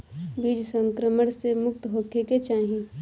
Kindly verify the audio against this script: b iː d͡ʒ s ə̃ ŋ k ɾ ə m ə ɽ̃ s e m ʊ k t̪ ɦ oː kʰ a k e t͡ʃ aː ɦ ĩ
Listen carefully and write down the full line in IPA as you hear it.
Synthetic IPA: b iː d͡ʒ s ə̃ ŋ k ɾ ə m ə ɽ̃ s e m ʊ k t̪ ɦ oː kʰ e k e t͡ʃ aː ɦ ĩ